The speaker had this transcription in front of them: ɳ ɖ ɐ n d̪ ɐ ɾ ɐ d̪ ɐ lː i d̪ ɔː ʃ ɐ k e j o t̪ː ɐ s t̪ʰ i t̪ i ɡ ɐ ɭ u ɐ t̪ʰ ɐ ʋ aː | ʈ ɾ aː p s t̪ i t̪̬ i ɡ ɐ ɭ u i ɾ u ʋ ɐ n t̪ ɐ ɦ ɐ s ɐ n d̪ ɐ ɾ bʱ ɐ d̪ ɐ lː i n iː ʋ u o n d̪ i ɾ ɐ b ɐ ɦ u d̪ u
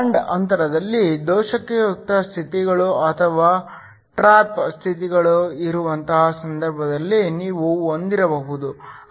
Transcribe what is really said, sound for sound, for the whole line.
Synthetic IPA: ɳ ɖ ɐ n t̪ ɐ ɾ ɐ d̪ ɐ lː i d̪ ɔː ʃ ɐ k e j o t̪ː ɐ s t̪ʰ i t̪ i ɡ ɐ ɭ u ɐ t̪ʰ ɐ ʋ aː | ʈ ɾ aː p s t̪ʰ i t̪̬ i ɡ ɐ ɭ u i ɾ u ʋ ɐ n t̪ ɐ ɦ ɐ s ɐ n d̪ ɐ ɾ bʱ ɐ d̪ ɐ lː i n iː ʋ u o n d̪ i ɾ ɐ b ɐ ɦ u d̪ u